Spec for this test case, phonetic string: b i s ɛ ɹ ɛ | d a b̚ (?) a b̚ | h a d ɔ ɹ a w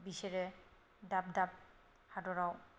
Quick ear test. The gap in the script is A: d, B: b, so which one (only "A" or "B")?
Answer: A